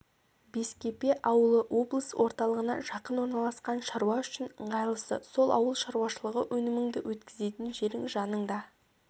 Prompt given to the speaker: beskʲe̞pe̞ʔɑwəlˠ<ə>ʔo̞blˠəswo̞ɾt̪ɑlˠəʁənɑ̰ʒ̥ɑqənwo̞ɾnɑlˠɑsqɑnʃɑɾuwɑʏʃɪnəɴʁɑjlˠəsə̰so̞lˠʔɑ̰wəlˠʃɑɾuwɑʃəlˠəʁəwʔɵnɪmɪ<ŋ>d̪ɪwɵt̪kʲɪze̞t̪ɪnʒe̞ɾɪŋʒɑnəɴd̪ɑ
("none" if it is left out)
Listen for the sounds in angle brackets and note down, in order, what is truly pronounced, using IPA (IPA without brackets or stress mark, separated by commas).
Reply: ə, ŋ